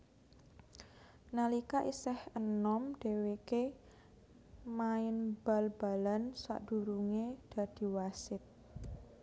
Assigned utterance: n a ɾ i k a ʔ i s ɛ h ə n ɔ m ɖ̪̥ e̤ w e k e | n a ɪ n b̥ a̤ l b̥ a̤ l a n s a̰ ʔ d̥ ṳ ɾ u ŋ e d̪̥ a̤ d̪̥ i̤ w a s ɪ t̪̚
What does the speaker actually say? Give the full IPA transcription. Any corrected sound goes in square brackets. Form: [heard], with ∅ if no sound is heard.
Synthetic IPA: n a [l] i k a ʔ i s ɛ h ə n ɔ m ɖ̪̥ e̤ w e k e | [m] a ɪ n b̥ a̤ l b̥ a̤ l a n s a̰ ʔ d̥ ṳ ɾ u ŋ e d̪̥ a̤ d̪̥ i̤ w a s ɪ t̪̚